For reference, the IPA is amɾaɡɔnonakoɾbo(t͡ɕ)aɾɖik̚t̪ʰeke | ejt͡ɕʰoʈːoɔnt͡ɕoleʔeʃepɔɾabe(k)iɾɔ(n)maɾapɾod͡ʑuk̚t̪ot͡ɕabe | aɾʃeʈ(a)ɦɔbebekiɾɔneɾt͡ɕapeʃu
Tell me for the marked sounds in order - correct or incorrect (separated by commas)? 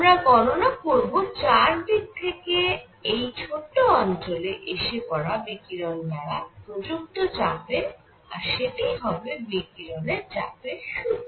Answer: correct, correct, correct, incorrect